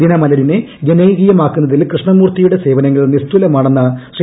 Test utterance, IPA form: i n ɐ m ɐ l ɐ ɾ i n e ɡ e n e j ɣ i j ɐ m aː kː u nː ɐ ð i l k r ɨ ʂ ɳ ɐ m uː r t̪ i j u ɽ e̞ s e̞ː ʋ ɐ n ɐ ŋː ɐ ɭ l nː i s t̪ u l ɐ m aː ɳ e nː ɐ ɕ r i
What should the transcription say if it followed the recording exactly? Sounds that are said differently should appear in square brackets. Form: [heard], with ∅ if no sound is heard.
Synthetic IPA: i n ɐ m ɐ l ɐ ɾ i n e ɡ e n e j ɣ i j ɐ m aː kː u nː ɐ ð i l k r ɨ ʂ ɳ ɐ m uː r t̪ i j u ɽ e̞ s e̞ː ʋ ɐ n ɐ ŋː ɐ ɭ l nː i s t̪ u l ɐ m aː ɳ e nː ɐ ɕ r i